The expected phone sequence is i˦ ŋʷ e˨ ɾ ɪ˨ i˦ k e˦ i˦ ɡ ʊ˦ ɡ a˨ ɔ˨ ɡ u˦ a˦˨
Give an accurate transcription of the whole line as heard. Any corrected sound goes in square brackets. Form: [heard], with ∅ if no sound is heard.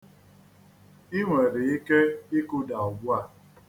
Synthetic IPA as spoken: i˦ ŋʷ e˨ ɾ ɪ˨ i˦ k e˦ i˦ [k] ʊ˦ [d] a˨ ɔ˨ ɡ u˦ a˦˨